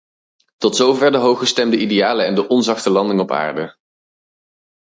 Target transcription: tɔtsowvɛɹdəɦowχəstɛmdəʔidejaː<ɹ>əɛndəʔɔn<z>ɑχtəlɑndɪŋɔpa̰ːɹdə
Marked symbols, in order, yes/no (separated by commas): no, yes